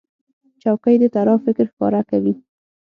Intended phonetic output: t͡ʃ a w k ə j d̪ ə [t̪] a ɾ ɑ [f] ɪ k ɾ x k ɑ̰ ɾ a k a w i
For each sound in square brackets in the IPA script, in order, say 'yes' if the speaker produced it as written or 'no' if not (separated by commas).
yes, yes